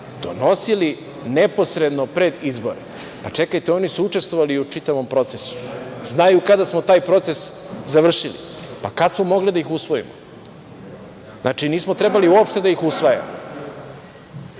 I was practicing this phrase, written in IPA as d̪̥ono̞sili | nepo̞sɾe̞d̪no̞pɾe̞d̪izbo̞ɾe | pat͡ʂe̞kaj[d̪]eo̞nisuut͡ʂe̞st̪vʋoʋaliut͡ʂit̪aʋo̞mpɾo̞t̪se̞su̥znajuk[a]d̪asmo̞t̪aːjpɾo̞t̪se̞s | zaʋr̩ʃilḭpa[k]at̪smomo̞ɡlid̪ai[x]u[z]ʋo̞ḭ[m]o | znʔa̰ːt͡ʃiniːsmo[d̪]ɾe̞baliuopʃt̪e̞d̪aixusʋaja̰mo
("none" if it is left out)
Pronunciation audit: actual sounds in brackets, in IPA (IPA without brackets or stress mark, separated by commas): t̪, a, k, x, s, m, t̪